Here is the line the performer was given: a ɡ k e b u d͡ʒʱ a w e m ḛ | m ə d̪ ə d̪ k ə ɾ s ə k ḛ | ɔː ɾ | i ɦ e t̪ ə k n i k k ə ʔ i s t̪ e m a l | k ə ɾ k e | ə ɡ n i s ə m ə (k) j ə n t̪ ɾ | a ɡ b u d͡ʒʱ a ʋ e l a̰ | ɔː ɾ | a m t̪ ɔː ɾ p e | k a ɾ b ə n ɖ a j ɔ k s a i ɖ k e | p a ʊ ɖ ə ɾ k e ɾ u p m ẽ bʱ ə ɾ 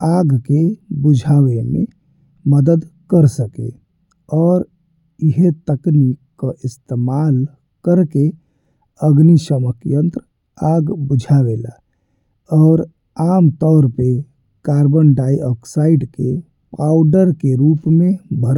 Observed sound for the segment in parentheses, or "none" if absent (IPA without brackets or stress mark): k